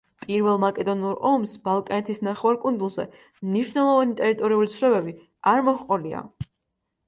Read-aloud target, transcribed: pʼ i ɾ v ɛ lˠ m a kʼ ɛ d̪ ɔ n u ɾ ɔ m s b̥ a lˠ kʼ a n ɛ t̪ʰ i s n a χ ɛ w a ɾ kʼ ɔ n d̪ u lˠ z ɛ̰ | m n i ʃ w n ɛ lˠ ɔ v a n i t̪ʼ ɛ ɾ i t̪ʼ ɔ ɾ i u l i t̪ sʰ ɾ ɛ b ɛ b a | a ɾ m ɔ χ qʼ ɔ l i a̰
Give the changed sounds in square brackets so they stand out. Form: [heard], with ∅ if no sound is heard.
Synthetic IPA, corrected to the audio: pʼ i ɾ v ɛ lˠ m a kʼ ɛ d̪ ɔ n u ɾ ɔ m s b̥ a lˠ kʼ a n ɛ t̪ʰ i s n a χ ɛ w a ɾ kʼ [u] n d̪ u lˠ z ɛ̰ | m n i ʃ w n ɛ lˠ ɔ v a n i t̪ʼ ɛ ɾ i t̪ʼ ɔ ɾ i u l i t̪ sʰ ɾ ɛ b ɛ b [i] | a ɾ m ɔ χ qʼ ɔ l i a̰